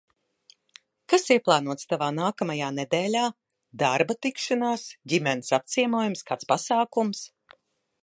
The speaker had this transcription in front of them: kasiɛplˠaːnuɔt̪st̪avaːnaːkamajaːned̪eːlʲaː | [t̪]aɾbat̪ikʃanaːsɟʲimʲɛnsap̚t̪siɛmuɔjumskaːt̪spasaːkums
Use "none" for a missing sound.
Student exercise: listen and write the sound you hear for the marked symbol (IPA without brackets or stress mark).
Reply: d̪